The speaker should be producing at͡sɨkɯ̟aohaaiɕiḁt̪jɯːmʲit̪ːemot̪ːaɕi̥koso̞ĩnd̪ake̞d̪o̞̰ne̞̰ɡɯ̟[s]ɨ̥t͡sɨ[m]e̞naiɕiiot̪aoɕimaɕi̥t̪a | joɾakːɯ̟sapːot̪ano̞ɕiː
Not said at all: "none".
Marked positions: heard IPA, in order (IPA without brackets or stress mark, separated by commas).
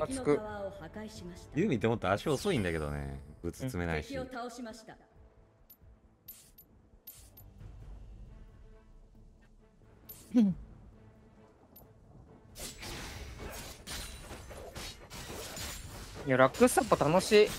t͡s, m